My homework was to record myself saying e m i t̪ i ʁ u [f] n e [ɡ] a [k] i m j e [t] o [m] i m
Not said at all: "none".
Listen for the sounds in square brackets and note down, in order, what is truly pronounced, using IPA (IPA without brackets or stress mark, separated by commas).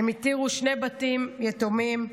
ʃ, b, t, t, m